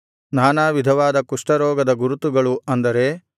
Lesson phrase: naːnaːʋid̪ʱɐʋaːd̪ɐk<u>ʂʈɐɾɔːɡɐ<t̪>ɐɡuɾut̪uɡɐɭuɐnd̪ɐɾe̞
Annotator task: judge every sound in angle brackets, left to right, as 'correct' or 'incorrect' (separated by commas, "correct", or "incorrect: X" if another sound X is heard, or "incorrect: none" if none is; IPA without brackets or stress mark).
correct, incorrect: d̪